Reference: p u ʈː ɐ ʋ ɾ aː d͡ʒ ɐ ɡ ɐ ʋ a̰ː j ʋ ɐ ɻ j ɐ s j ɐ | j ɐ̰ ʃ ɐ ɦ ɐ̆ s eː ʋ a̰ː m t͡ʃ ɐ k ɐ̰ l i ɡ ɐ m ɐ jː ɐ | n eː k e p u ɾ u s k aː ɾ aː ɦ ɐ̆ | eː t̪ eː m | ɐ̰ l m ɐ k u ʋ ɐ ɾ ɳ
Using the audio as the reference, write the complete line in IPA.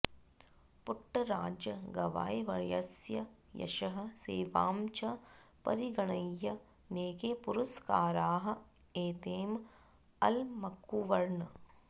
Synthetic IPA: p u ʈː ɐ ɾ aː d͡ʒ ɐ ɡ ɐ ʋ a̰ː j ʋ ɐ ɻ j ɐ s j ɐ | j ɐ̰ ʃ ɐ ɦ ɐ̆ s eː ʋ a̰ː m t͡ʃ ɐ p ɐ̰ ɾ i ɡ ɐ ɳ ɐ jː ɐ | n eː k e p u ɾ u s k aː ɾ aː ɦ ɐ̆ | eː t̪ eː m | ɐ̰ l m ɐ k u ʋ ɐ ɾ ɳ